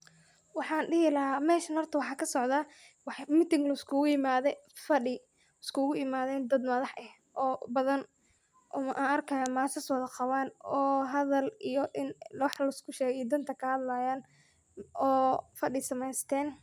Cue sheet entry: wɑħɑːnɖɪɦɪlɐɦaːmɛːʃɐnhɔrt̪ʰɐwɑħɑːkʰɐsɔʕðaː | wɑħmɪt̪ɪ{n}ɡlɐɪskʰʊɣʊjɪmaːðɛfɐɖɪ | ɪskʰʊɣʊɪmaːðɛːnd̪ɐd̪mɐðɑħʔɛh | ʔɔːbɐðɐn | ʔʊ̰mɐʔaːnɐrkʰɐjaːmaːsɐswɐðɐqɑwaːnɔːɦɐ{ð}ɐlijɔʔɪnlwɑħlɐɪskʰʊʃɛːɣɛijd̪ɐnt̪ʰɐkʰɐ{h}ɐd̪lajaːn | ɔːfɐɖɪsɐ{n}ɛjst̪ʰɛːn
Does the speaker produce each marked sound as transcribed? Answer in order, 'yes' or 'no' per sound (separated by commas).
no, yes, yes, no